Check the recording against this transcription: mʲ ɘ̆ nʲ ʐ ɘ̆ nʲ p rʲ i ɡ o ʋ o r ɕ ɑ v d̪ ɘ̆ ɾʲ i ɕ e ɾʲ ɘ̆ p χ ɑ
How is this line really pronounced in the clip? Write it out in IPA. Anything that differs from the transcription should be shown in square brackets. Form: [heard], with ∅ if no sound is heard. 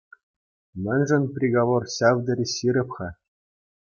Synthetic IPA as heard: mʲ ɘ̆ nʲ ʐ ɘ̆ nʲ p rʲ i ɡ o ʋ o r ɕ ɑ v d̪ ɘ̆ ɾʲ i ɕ [i] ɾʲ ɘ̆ p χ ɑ